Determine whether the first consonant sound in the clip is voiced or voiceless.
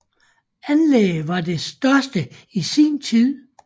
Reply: voiced